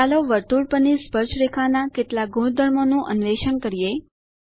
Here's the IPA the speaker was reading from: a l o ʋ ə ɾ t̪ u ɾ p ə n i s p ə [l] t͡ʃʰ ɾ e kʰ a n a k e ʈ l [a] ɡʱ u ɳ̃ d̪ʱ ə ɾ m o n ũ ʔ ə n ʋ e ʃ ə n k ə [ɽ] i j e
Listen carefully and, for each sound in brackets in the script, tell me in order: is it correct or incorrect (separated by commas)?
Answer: incorrect, correct, incorrect